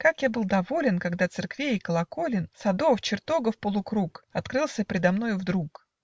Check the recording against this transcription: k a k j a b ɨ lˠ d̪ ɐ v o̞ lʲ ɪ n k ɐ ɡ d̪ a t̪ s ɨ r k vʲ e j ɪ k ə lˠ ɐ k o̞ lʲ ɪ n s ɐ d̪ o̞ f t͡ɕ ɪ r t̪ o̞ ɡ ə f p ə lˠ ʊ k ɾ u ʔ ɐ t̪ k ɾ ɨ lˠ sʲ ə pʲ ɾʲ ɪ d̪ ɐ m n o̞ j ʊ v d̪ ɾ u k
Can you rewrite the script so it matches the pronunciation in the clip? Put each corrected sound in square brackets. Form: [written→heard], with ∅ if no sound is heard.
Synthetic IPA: k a k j a b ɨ lˠ d̪ ɐ v o̞ lʲ ɪ n k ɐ ɡ d̪ a t̪ s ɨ r k vʲ e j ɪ k ə lˠ ɐ k o̞ lʲ ɪ n s ɐ d̪ o̞ f t͡ɕ ɪ r t̪ o̞ ɡ ə f p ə lˠ ʊ k ɾ u [ʔ→k] ɐ t̪ k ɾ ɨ lˠ sʲ ə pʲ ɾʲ ɪ d̪ ɐ m n o̞ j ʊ v d̪ ɾ u k